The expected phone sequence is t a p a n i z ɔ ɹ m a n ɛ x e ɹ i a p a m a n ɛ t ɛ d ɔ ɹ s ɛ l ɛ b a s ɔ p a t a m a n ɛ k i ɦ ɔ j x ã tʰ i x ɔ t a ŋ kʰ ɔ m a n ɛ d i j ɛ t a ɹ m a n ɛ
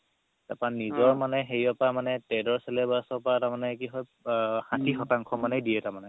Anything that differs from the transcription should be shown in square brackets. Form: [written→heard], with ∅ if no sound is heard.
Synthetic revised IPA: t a p a n i z ɔ ɹ m a n ɛ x e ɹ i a p a m a n ɛ t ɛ d ɔ ɹ s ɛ l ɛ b a s ɔ p a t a m a n ɛ k i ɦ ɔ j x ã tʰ i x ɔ t a ŋ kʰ ɔ m a n ɛ d i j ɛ t a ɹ m a n ɛ